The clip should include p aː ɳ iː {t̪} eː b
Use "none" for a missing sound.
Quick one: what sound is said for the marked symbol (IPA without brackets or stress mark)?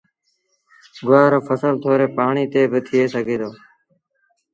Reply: t̪